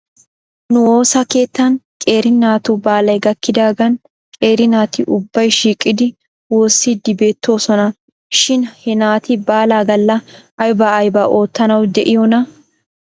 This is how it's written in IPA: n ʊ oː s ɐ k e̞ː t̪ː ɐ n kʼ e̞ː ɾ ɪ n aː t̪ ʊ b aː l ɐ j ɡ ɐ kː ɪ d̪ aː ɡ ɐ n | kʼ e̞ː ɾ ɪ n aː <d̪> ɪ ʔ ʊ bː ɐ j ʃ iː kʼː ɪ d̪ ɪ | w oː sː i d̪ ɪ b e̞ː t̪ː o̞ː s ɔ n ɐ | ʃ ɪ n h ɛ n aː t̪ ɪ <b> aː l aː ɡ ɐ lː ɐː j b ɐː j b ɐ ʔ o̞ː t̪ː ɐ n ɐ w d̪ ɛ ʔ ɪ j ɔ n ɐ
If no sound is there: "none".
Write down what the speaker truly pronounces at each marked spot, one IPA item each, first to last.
t̪, b

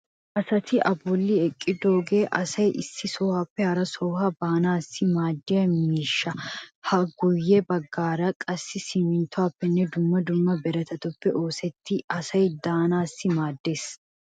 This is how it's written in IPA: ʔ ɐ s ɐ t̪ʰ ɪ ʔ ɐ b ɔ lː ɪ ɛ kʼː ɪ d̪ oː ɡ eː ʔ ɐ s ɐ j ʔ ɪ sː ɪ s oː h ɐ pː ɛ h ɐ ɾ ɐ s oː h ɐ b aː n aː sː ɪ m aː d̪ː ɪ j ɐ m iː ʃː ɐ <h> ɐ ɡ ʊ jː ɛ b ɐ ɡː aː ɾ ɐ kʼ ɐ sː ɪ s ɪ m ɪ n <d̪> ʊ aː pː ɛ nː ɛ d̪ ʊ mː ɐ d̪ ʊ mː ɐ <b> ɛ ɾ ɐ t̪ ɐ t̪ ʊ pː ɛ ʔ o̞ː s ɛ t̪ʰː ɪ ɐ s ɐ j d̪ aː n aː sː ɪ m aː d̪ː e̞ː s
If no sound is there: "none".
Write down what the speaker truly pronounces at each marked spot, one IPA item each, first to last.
h, t̪, b

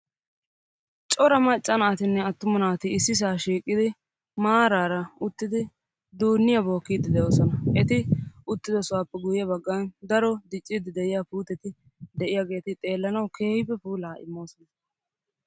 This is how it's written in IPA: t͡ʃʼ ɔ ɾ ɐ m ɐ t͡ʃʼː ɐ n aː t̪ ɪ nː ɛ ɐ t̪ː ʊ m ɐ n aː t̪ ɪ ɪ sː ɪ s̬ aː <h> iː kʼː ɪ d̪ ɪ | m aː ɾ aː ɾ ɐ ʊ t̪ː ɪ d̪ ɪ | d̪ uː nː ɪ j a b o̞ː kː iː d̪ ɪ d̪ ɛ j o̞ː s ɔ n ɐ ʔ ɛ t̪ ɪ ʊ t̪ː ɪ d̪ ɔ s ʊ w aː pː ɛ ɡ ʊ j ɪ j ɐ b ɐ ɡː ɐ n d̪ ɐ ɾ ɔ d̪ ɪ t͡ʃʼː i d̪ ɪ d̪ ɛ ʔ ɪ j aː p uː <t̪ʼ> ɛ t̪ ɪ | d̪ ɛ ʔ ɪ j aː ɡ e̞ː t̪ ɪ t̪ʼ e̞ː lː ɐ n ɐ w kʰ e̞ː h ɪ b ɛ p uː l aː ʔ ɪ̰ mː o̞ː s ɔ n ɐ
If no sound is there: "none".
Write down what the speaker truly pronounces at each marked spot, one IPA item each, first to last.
ʃ, t̪

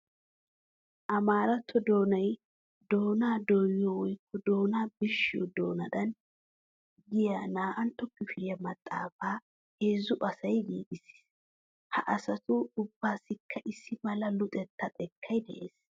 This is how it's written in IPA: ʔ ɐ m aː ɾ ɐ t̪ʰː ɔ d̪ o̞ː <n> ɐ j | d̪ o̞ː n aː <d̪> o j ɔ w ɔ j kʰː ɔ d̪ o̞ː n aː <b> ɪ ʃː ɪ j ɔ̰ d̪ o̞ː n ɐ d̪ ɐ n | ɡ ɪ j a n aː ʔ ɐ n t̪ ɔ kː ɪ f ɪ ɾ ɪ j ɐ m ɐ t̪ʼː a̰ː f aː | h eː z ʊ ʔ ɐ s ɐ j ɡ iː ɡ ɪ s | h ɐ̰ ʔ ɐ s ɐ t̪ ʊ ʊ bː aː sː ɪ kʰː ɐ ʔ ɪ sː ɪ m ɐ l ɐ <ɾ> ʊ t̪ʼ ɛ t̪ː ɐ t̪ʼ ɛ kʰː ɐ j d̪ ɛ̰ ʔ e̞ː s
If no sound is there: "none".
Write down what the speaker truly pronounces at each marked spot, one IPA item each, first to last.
n, d̪, b, l

